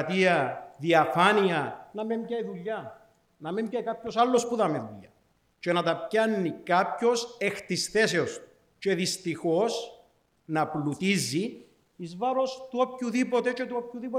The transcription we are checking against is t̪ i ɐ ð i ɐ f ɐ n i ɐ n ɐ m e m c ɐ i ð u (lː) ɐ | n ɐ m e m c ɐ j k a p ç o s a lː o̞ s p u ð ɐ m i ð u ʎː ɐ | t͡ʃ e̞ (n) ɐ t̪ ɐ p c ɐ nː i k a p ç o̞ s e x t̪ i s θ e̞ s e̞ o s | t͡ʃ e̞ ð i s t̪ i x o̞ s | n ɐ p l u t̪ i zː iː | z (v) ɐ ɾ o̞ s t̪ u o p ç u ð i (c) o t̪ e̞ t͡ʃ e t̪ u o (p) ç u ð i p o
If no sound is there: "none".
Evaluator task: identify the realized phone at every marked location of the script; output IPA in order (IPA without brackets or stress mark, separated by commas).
ʎː, n, v, p, p